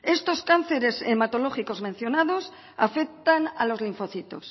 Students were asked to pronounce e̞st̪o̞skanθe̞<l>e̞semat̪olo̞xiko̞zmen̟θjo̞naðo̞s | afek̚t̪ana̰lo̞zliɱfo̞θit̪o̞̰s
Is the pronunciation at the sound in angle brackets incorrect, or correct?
incorrect